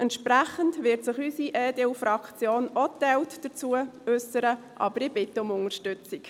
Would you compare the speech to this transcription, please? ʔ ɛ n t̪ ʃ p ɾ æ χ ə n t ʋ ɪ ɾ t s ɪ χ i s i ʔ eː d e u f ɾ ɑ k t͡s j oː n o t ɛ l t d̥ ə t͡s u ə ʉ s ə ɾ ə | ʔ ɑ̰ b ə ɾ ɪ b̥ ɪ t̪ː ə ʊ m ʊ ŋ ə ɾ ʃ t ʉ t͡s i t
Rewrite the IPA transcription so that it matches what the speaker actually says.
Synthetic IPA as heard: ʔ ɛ n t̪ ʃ p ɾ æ χ ə n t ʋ ɪ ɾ t s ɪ χ y s i ʔ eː d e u f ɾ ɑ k t͡s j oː n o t ɛ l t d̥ ə t͡s u ə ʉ s ə ɾ ə | ʔ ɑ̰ b ə ɾ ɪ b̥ ɪ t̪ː ə ʊ m ʊ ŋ ə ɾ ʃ t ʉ t͡s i k